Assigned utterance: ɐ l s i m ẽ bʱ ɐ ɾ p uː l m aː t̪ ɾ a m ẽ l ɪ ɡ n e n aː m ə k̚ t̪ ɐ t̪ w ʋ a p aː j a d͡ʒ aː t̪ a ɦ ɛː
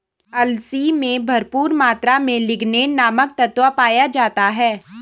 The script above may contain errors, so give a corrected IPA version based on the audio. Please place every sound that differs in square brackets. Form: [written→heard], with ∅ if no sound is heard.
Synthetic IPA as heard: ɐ l s i m ẽ bʱ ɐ ɾ p uː [l→ɾ] m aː t̪ ɾ a m ẽ l ɪ ɡ n e n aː m ə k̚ t̪ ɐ t̪ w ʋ a p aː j a d͡ʒ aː t̪ a ɦ ɛː